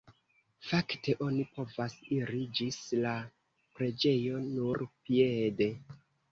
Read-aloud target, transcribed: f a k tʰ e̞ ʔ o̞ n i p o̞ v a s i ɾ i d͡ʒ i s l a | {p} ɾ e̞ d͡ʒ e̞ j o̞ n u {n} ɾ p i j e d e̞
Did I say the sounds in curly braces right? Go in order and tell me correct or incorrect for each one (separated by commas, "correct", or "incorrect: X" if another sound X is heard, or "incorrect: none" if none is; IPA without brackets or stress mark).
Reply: correct, incorrect: none